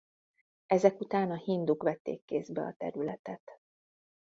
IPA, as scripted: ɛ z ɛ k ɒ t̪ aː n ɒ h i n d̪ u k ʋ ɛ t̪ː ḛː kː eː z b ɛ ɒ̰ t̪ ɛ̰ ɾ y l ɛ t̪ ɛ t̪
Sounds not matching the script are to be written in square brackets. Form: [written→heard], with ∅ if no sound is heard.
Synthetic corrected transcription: ɛ z ɛ k [ɒ→u] t̪ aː n ɒ h i n d̪ u k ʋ ɛ t̪ː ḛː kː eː z b ɛ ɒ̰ t̪ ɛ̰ ɾ y l ɛ t̪ ɛ t̪